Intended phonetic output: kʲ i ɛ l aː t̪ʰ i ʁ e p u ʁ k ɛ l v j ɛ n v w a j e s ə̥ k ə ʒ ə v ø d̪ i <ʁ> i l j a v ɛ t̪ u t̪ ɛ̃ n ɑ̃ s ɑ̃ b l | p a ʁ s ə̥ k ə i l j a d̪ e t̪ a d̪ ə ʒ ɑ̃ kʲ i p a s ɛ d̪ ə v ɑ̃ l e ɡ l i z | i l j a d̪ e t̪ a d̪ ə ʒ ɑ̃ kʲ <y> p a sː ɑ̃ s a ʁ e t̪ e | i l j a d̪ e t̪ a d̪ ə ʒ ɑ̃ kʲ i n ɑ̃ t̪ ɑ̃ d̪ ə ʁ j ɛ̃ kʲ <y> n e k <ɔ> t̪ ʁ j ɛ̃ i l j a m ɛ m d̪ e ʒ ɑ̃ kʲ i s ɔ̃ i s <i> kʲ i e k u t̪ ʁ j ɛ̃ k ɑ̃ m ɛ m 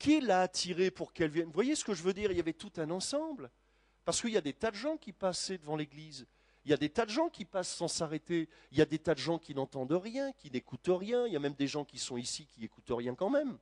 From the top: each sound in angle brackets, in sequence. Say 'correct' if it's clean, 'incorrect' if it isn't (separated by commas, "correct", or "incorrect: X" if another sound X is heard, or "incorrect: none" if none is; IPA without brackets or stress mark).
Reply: correct, incorrect: i, incorrect: i, incorrect: u, correct